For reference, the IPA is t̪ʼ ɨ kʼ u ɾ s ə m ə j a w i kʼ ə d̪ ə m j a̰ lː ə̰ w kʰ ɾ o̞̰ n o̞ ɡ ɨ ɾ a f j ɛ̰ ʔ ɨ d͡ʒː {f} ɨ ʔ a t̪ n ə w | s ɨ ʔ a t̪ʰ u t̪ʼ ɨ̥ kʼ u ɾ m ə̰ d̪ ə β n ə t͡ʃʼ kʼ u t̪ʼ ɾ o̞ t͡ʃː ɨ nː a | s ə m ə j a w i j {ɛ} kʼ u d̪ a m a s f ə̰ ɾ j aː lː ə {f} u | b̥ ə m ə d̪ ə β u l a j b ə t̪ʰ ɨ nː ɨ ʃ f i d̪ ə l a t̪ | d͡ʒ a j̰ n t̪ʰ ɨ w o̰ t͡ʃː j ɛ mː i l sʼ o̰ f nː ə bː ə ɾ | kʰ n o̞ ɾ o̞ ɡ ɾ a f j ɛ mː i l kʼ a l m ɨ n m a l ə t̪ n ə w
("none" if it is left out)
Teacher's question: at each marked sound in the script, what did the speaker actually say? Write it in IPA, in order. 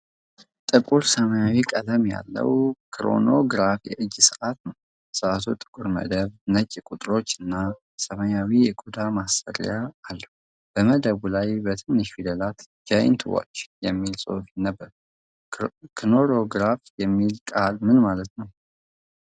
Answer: s, ɛ, h

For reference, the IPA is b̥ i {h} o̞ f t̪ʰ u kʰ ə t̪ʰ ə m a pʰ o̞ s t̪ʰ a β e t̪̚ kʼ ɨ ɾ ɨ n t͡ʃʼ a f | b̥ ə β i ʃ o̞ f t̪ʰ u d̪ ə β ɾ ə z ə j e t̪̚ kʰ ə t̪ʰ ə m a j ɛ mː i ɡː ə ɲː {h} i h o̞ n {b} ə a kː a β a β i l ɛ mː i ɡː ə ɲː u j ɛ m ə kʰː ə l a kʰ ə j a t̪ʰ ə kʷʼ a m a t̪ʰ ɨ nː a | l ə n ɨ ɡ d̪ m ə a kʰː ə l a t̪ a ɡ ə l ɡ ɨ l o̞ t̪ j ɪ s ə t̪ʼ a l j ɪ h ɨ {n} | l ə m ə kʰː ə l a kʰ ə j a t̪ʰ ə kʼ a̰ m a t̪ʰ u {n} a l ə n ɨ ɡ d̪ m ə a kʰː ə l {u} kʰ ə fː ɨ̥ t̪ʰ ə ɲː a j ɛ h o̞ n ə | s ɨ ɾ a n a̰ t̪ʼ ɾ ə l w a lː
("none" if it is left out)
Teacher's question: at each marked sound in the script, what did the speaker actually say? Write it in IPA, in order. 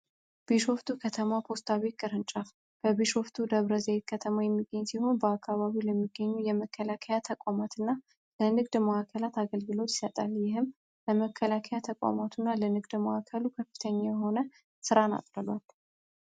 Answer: ʃ, s, b, m, nː, u

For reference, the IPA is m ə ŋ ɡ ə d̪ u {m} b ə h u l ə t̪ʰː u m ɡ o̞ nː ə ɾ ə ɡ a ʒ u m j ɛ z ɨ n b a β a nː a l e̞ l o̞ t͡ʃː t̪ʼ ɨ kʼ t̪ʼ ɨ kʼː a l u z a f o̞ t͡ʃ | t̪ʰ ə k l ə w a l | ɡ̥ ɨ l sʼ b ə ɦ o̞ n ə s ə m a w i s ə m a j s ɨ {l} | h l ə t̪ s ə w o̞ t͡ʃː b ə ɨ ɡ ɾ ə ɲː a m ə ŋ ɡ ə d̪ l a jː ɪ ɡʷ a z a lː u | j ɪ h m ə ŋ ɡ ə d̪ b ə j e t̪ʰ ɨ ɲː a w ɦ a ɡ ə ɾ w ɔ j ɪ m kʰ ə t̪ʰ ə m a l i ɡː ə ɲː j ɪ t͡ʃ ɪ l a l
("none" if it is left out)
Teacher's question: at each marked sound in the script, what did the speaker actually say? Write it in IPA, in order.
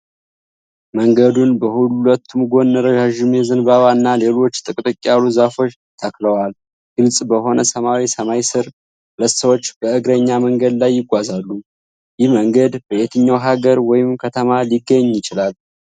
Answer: n, ɾ

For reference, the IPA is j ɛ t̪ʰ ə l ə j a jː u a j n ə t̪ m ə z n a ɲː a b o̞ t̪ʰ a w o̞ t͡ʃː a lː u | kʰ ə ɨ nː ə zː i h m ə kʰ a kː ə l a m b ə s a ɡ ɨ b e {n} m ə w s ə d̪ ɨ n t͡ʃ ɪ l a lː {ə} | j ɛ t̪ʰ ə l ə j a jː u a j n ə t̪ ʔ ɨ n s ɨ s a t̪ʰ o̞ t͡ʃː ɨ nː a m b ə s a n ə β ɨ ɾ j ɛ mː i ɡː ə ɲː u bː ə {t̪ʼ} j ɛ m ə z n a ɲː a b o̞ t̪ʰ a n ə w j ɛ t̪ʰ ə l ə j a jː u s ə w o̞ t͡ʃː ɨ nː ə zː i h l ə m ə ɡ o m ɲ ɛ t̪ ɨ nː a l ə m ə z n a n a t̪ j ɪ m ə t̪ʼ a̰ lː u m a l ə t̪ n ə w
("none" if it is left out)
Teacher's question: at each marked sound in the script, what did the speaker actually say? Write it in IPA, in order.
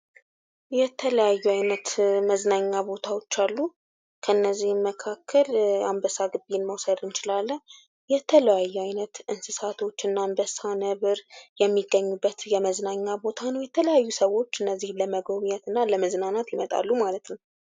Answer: n, ə, t̪

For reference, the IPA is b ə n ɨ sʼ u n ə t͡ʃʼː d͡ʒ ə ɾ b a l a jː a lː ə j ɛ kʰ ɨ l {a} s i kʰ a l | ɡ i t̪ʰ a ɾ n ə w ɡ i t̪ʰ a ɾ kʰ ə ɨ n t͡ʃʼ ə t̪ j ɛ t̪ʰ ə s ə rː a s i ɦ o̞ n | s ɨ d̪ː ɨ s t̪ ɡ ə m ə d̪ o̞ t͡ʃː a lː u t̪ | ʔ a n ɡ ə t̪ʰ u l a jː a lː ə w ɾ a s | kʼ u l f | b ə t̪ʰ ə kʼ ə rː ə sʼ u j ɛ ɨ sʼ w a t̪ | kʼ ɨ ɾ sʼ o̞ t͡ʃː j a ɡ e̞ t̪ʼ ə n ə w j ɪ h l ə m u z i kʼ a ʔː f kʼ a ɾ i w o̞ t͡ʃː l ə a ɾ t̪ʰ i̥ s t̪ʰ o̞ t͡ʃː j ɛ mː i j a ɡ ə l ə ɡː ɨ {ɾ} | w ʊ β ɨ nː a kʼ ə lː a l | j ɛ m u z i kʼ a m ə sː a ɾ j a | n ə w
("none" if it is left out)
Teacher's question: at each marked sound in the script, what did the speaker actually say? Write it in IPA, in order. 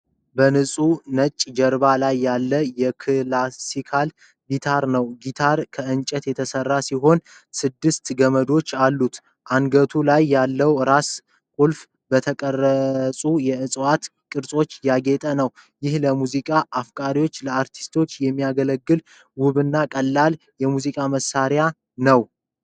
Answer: a, l

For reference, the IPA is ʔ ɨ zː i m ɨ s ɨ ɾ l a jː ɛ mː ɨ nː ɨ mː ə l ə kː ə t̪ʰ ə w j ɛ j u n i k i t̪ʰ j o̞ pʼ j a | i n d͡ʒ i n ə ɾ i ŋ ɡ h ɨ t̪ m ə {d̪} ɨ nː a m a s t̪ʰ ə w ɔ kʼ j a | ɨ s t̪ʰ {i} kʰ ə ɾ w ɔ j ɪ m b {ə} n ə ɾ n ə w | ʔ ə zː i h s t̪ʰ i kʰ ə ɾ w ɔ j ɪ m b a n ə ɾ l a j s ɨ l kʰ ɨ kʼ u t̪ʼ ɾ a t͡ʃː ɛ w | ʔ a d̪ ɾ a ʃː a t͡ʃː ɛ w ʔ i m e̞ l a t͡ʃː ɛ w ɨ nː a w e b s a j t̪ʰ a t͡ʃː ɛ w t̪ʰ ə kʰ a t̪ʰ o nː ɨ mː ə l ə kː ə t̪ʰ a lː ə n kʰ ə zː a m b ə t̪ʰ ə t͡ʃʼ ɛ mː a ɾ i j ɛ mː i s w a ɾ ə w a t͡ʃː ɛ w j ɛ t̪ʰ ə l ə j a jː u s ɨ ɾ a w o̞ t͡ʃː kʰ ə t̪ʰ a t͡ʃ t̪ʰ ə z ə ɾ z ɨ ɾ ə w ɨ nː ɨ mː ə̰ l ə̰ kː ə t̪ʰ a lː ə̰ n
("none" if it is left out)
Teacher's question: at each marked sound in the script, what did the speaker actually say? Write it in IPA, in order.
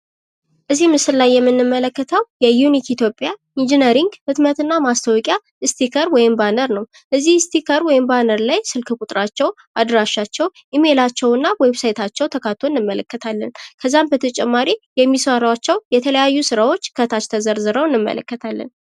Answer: t̪, i, a

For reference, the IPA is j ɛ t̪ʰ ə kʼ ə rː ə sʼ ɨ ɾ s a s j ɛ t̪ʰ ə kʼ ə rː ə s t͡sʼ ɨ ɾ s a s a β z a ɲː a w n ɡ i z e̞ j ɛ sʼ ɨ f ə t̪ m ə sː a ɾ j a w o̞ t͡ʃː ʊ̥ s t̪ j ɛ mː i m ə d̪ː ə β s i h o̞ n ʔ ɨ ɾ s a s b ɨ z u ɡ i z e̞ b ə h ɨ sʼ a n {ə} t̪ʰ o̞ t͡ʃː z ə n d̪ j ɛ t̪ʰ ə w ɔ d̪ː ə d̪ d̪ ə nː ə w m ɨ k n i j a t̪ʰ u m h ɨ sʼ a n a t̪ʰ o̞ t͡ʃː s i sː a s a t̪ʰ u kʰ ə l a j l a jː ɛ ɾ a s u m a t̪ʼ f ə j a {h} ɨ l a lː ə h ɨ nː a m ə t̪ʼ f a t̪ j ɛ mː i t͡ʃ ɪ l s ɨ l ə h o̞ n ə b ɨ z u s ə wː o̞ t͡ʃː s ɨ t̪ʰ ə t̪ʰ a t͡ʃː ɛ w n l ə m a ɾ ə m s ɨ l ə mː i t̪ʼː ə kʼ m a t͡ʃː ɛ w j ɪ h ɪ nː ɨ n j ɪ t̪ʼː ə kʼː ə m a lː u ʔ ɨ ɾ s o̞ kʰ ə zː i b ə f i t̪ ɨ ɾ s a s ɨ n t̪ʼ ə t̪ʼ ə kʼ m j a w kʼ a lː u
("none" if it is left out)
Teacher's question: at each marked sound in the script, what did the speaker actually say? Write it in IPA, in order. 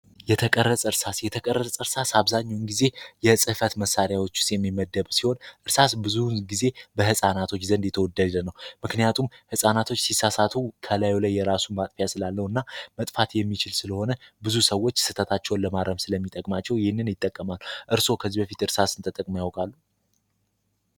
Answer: a, s

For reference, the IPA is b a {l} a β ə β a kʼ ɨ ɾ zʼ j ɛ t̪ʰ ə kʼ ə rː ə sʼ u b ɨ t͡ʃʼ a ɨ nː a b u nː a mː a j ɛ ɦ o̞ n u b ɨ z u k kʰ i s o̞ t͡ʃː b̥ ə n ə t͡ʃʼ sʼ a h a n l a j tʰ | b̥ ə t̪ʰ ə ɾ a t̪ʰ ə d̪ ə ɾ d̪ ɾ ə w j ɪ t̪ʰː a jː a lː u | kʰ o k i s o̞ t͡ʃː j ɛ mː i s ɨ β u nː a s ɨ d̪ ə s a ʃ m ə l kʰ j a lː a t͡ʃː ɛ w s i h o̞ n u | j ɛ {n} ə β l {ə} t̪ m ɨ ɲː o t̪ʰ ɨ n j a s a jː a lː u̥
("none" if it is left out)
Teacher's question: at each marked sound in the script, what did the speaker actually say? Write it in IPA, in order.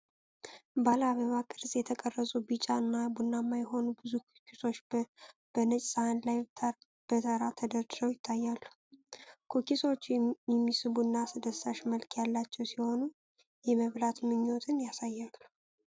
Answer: l, m, a

